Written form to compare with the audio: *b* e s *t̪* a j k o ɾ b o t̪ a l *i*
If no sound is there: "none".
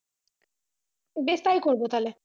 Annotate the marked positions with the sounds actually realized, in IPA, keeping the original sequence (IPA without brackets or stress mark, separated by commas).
b, t̪, e